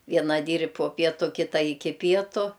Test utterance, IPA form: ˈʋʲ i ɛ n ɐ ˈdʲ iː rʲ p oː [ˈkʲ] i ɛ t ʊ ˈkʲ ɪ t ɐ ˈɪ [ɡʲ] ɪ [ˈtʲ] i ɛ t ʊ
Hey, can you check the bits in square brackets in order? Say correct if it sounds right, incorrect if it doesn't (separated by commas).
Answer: incorrect, incorrect, incorrect